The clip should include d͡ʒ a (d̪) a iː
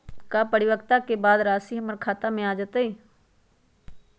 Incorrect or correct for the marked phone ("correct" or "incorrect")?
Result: incorrect